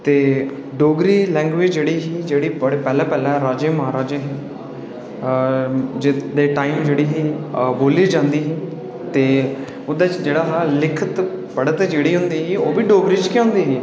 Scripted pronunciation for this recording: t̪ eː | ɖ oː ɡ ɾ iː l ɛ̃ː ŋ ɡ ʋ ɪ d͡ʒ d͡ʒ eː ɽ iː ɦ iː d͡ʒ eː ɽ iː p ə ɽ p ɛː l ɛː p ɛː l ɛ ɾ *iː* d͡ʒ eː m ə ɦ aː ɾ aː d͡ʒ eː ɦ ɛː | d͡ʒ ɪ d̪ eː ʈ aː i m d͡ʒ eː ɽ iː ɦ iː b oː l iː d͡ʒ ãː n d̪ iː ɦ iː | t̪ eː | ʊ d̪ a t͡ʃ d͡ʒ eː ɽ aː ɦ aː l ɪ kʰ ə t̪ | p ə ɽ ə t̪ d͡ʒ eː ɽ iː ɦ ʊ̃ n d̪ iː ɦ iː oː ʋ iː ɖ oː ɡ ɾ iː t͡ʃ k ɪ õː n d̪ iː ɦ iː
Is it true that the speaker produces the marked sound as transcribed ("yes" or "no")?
no